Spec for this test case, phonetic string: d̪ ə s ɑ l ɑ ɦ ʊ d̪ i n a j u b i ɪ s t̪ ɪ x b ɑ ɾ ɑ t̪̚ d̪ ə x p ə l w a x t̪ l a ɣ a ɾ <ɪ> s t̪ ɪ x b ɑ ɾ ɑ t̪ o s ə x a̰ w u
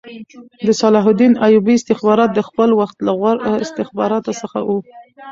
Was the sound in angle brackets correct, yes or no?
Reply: yes